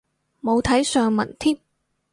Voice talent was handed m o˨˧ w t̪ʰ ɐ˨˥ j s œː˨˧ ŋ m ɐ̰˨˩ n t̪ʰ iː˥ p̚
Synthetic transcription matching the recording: m o˨˧ w t̪ʰ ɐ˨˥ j s œː˨˧ ŋ m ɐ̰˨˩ n t̪ʰ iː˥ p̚